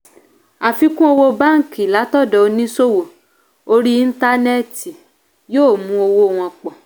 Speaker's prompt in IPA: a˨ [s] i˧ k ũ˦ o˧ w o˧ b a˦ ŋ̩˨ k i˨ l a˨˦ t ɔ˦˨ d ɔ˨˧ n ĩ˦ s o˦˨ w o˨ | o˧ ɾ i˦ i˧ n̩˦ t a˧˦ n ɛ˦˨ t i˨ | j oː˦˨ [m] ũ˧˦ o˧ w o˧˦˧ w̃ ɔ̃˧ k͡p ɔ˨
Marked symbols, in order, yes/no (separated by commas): no, yes